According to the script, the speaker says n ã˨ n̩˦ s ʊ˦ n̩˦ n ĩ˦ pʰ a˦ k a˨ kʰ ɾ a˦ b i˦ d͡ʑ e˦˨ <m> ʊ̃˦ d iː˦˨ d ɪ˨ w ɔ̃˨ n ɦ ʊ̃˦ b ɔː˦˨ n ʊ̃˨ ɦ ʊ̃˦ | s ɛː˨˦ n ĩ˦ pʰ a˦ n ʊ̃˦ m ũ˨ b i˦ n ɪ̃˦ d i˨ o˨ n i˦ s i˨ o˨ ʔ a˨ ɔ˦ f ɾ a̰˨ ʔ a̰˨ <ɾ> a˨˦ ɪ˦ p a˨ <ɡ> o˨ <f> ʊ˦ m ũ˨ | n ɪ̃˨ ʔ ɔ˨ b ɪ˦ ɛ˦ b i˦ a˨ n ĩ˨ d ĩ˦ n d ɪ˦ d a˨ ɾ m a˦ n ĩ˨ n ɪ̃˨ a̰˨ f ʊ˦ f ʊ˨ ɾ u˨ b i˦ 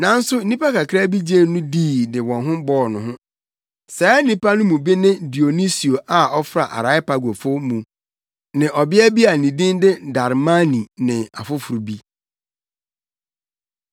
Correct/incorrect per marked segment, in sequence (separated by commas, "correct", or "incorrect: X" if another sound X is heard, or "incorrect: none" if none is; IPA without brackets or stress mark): incorrect: n, correct, correct, correct